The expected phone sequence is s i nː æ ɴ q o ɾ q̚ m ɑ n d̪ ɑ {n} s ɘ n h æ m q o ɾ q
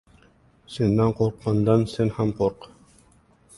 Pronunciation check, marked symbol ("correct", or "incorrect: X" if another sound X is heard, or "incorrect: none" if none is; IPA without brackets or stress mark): correct